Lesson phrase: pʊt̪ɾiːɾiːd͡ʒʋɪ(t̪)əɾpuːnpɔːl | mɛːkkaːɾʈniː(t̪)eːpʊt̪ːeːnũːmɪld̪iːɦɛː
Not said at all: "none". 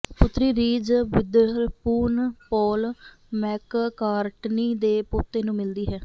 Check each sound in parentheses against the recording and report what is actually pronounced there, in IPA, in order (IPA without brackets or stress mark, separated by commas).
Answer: d̪, d̪